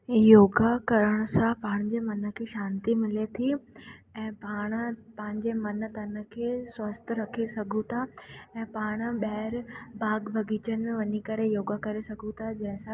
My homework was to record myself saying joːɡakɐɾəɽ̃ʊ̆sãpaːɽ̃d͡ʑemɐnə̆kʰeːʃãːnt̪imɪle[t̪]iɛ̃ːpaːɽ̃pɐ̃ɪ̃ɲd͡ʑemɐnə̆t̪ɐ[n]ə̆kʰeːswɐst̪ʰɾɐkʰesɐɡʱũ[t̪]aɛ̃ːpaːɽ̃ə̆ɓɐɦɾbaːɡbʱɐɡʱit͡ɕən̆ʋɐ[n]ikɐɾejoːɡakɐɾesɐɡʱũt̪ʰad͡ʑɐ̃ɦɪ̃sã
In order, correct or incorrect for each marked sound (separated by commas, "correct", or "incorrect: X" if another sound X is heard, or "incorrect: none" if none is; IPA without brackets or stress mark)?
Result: incorrect: t̪ʰ, correct, incorrect: t̪ʰ, incorrect: ɲ